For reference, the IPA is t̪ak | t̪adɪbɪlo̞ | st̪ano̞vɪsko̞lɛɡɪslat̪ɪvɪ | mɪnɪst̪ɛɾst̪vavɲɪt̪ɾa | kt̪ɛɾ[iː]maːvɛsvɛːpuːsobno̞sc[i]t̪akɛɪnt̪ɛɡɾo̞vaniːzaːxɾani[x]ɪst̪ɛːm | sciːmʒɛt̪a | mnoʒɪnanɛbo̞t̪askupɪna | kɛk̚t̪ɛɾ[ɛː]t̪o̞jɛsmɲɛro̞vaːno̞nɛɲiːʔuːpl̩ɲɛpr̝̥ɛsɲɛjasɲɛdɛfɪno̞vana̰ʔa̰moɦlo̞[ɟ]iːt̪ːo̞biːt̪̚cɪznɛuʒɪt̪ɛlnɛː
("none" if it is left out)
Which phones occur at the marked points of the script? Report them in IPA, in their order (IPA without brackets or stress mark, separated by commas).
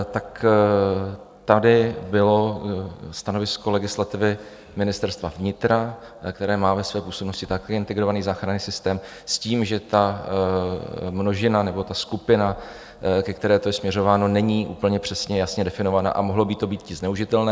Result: ɛː, ɪ, s, ɛː, b